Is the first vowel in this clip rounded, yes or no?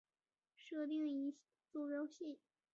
no